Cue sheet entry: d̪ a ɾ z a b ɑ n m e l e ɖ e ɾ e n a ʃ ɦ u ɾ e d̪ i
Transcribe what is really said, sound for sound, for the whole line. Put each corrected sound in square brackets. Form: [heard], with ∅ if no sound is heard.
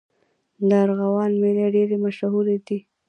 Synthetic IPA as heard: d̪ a ɾ [ɣ] a [w] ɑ n m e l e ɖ e ɾ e [m] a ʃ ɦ u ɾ e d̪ i